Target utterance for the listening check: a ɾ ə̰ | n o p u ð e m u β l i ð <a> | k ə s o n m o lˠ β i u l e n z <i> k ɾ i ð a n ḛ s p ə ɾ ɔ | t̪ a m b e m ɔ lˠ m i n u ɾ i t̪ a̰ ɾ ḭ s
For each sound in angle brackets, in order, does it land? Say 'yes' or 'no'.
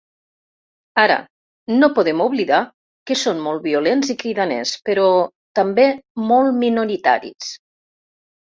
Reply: yes, yes

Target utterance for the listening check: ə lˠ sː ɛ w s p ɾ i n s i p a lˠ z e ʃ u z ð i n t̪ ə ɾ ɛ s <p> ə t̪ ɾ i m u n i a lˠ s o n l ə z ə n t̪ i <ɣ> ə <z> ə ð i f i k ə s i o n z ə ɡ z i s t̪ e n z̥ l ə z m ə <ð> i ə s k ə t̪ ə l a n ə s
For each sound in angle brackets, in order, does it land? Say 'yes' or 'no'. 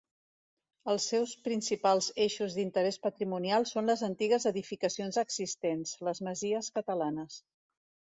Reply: yes, yes, yes, no

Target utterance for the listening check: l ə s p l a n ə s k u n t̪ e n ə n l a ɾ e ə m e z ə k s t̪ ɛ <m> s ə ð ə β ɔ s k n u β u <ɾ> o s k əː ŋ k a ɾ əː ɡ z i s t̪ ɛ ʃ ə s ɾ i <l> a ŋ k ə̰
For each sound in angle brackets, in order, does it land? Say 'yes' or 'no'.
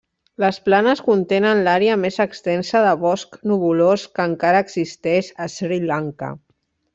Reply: no, no, yes

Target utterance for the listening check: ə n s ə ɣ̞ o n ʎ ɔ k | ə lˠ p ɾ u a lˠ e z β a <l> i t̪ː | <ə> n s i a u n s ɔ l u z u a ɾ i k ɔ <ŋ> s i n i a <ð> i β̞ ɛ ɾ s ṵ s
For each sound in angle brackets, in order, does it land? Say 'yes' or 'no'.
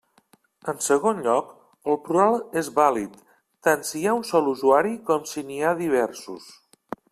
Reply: yes, no, no, yes

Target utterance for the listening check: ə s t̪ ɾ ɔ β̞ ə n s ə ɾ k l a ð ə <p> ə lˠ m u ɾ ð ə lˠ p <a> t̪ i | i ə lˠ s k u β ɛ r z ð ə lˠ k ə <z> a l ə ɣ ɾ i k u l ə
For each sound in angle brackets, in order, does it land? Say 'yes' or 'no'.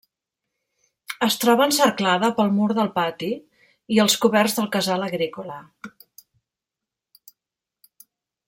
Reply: yes, yes, yes

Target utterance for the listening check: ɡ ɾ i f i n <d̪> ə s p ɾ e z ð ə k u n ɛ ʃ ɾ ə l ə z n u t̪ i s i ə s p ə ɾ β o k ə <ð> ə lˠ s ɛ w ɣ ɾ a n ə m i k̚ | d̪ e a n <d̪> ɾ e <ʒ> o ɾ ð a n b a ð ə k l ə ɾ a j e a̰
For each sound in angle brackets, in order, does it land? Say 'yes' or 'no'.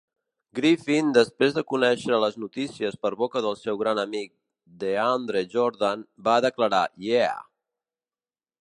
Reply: yes, yes, yes, yes

